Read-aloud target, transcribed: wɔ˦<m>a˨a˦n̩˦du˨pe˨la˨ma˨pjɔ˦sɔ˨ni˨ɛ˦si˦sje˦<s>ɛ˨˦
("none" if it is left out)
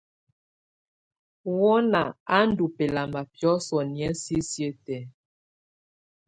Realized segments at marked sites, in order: n, t

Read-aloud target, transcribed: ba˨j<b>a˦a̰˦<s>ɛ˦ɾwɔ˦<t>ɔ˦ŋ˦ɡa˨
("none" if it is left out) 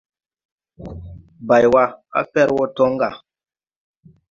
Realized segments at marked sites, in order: w, f, t

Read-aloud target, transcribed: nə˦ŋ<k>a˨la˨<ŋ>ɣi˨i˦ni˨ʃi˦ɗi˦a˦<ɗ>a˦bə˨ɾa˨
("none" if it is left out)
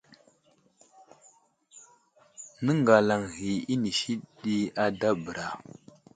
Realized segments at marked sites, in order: ɡ, ŋ, d

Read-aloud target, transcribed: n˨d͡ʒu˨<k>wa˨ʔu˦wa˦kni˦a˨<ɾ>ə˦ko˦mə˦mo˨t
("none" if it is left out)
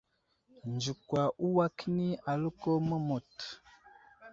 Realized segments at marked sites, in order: k, l

